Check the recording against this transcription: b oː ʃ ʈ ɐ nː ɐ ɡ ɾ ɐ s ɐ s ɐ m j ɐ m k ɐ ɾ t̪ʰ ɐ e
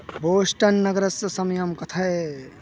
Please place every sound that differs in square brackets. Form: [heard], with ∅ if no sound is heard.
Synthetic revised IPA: b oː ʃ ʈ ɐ nː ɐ ɡ ɾ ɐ s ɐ s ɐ m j ɐ m k ɐ [∅] t̪ʰ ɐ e